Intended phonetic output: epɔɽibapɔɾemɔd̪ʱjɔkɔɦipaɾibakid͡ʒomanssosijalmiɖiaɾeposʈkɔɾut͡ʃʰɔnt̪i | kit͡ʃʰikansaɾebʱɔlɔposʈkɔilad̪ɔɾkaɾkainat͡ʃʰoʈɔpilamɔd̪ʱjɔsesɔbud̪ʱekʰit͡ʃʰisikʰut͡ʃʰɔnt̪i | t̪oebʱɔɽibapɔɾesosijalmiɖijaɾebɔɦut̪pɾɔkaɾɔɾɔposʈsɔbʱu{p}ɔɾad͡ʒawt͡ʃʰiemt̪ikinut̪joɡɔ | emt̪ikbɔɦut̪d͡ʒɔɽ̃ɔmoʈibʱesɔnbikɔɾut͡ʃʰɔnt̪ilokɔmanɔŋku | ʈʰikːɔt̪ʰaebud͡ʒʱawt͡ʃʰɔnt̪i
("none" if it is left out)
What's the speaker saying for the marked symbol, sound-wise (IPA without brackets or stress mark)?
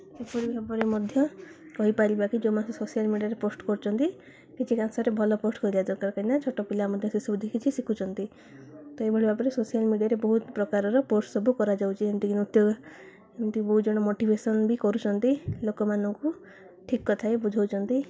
k